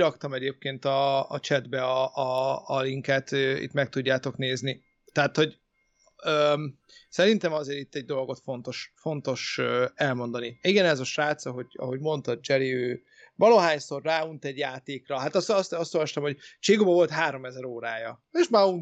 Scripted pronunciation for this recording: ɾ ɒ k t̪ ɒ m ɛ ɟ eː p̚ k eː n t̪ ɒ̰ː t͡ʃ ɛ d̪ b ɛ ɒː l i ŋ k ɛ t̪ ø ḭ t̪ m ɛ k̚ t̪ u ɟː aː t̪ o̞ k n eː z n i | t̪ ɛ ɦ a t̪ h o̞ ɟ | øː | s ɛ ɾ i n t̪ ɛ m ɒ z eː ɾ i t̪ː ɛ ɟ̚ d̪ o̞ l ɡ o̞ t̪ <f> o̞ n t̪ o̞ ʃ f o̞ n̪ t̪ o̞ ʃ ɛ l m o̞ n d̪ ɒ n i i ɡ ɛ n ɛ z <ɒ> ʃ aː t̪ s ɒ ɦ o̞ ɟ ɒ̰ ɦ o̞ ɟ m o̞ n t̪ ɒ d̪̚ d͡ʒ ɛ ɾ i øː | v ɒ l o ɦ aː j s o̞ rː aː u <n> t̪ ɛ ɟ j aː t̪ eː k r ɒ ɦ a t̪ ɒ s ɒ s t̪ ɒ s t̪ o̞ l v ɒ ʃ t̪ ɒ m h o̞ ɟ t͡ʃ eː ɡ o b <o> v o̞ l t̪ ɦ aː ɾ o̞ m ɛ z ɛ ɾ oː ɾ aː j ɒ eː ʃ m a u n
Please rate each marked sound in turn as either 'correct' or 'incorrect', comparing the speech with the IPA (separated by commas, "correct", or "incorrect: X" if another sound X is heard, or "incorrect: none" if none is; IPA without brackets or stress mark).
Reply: correct, correct, correct, incorrect: ɒ